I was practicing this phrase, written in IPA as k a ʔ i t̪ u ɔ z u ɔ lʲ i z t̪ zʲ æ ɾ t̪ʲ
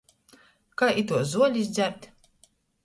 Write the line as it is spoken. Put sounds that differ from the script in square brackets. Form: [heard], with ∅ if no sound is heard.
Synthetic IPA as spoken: k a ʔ i t̪ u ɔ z u ɔ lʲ i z [d̪] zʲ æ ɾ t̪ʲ